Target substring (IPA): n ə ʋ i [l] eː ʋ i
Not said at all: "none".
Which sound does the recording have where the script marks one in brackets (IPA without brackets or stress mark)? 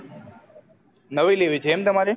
l